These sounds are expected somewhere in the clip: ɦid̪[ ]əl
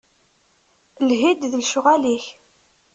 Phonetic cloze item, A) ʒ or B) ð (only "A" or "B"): B